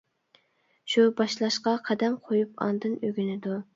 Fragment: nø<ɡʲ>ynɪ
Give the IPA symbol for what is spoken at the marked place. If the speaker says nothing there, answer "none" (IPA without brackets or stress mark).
ɡʲ